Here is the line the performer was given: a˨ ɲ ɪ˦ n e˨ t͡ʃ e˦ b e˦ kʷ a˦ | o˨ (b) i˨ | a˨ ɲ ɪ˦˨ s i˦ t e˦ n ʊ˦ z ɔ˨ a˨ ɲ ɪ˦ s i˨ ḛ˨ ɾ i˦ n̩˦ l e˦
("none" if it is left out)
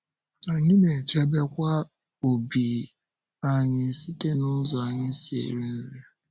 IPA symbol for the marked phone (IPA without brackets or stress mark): b